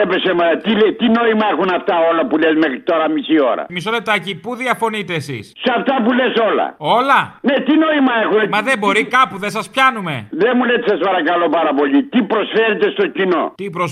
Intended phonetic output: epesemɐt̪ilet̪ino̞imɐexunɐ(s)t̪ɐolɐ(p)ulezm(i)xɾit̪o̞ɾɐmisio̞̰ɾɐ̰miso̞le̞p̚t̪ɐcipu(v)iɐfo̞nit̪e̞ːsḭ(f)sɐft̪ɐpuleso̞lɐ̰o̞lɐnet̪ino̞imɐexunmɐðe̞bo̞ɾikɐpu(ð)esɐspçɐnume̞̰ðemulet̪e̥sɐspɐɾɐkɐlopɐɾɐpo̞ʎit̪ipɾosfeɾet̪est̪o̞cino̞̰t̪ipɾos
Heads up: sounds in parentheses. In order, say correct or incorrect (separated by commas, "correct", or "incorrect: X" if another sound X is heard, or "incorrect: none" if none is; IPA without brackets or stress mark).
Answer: incorrect: f, correct, incorrect: e, incorrect: ð, incorrect: s, correct